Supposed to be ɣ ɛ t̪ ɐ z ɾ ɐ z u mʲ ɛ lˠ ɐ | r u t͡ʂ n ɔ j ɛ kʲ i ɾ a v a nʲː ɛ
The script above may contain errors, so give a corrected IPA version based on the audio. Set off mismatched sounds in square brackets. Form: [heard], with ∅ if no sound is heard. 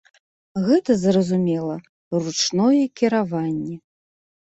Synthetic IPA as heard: ɣ ɛ t̪ ɐ z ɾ ɐ z u mʲ ɛ lˠ ɐ | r u t͡ʂ n ɔ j ɛ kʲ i ɾ a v a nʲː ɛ